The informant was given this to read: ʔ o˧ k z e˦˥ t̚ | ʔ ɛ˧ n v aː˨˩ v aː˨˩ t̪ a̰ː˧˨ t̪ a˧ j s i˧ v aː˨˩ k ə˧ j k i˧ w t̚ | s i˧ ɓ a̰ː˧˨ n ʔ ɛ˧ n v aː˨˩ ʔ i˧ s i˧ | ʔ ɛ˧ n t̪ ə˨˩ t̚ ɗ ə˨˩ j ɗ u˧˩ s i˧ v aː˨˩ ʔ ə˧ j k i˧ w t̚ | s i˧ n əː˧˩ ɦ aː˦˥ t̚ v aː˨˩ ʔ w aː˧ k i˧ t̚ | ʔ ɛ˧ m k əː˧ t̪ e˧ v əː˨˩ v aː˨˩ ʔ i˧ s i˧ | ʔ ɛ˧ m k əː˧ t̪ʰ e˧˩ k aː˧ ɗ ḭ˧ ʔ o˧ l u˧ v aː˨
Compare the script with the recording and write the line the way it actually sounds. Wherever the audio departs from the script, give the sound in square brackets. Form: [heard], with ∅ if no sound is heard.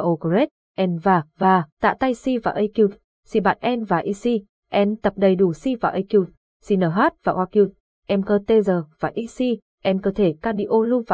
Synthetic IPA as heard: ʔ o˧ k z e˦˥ t̚ | ʔ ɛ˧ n v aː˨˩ v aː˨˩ t̪ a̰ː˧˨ t̪ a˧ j s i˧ v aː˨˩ [ʔ] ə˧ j k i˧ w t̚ | s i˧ ɓ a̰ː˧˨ n ʔ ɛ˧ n v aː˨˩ ʔ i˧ s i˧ | ʔ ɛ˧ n t̪ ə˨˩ [p̚] ɗ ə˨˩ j ɗ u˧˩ s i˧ v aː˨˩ ʔ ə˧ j k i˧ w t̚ | s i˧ n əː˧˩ ɦ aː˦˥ t̚ v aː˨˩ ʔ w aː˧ k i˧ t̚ | ʔ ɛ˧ m k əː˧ t̪ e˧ [z] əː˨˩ v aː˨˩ ʔ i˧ s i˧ | ʔ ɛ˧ m k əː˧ t̪ʰ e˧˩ k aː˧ ɗ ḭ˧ ʔ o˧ l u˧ v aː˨